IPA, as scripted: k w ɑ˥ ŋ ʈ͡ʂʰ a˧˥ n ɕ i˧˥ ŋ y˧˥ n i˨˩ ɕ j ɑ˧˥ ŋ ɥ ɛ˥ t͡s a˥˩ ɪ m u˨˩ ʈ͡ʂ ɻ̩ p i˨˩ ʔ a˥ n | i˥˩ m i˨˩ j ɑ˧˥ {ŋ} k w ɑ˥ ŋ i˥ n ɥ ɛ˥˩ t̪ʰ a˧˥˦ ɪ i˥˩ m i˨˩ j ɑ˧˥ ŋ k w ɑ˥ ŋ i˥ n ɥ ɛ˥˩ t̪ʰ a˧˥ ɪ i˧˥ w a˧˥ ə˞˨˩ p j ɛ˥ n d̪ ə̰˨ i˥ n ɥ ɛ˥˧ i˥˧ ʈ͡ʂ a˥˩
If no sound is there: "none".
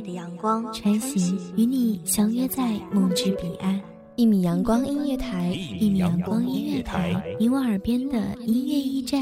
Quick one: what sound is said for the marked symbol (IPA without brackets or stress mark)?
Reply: ŋ